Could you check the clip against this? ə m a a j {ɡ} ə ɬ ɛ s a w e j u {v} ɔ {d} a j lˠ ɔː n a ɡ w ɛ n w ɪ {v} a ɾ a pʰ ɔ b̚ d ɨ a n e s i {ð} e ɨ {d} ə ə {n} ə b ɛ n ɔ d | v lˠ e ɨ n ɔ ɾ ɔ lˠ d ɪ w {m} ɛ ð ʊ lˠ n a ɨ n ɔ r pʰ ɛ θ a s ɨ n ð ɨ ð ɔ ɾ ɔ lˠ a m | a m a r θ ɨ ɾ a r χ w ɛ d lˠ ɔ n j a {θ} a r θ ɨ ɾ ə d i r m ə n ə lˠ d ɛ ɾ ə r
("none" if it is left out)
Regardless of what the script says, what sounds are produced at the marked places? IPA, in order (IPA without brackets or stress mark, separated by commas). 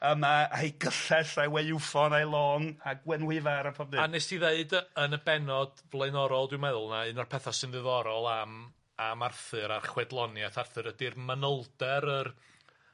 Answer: ɡ, f, n, v, ð, d, n, m, θ